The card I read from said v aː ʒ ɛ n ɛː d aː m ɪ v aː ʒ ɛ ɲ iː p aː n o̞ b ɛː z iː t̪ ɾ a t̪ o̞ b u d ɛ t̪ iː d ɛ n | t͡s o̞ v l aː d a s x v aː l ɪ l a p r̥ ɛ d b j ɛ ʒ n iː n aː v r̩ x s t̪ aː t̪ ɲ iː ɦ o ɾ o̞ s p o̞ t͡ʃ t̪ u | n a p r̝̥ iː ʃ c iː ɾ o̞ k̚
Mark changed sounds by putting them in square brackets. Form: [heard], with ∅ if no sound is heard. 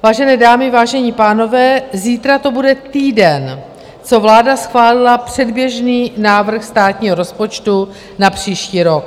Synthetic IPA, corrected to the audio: v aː ʒ ɛ n ɛː d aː m ɪ v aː ʒ ɛ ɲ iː p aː n o̞ [v] ɛː z iː t̪ ɾ a t̪ o̞ b u d ɛ t̪ iː d ɛ n | t͡s o̞ v l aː d a s x v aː l ɪ l a p r̥ ɛ d b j ɛ ʒ n iː n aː v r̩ x s t̪ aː t̪ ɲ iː ɦ o ɾ o̞ s p o̞ t͡ʃ t̪ u | n a p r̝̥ iː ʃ c iː ɾ o̞ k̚